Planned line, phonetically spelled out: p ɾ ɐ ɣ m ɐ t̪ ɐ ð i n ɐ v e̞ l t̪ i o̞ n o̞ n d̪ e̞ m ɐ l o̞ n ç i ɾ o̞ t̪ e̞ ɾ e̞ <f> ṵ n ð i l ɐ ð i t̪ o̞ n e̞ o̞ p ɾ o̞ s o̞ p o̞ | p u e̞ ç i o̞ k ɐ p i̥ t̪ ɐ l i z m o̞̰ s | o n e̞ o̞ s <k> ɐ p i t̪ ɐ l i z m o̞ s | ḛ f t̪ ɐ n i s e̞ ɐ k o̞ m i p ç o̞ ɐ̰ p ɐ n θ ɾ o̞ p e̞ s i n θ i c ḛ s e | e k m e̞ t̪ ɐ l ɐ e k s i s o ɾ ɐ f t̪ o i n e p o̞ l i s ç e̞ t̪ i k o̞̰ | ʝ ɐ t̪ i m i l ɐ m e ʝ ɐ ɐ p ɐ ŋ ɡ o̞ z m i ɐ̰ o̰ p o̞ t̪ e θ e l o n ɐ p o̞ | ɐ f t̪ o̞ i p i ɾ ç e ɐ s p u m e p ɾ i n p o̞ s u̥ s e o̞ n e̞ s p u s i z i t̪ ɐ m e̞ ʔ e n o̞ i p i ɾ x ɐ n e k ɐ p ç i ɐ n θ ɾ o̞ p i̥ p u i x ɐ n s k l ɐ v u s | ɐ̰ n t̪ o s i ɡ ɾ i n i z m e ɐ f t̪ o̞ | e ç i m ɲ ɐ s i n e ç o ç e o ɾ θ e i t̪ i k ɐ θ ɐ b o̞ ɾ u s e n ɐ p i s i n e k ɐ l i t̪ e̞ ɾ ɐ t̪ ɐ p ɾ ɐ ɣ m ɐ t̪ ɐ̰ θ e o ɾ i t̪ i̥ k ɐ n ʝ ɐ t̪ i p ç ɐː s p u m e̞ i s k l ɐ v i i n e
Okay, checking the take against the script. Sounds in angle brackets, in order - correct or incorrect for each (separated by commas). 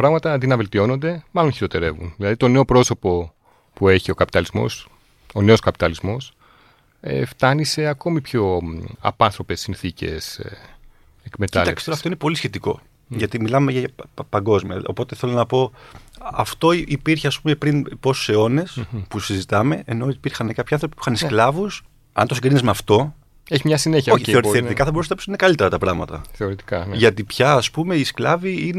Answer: incorrect, correct